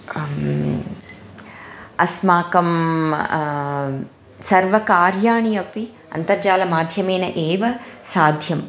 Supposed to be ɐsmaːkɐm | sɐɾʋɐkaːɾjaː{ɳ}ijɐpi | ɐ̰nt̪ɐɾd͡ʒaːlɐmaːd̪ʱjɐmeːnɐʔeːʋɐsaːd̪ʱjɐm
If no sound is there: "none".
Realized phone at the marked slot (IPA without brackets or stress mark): ɳ